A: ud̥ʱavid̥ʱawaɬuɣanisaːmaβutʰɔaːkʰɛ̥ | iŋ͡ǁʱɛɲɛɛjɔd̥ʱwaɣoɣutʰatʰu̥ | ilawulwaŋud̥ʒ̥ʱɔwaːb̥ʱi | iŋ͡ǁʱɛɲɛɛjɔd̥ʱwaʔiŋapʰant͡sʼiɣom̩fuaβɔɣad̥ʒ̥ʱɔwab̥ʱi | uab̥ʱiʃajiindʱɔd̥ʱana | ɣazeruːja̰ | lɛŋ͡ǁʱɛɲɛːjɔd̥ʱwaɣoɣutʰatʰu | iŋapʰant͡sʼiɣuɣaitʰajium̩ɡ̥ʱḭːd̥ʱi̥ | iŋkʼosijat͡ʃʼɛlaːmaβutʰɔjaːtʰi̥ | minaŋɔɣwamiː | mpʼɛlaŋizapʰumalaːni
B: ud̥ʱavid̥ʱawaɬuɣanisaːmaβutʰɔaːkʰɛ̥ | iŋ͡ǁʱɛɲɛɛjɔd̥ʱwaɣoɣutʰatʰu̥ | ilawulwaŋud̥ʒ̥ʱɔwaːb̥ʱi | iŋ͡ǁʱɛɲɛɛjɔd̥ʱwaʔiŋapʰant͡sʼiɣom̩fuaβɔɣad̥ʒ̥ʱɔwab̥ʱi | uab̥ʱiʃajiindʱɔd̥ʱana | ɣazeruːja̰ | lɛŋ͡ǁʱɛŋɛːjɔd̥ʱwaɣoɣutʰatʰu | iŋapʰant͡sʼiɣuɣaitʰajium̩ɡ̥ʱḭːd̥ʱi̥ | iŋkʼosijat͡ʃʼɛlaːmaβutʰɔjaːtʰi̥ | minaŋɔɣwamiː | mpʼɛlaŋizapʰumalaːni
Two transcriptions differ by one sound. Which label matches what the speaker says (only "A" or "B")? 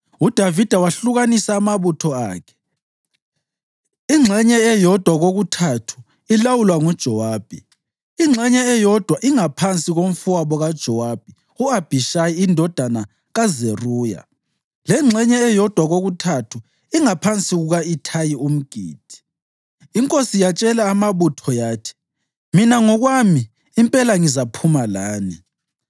A